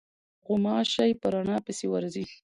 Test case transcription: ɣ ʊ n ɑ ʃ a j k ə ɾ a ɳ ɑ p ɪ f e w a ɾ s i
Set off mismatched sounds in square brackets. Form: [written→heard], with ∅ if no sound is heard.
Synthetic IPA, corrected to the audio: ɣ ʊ [n→m] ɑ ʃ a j [k→p] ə ɾ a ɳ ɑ p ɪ [f→s] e w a ɾ [s→z] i